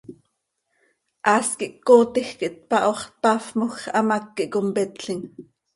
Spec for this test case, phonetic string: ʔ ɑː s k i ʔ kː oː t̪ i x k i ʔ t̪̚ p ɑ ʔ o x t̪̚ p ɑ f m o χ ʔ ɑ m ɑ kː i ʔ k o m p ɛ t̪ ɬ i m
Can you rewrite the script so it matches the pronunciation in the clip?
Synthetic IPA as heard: ʔ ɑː s k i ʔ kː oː t̪ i x k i ʔ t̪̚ p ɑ ʔ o χ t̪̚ p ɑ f m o x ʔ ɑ m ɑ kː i ʔ k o m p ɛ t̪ ɬ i ŋ